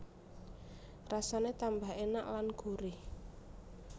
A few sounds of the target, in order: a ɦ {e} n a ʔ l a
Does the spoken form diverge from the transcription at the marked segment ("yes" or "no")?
no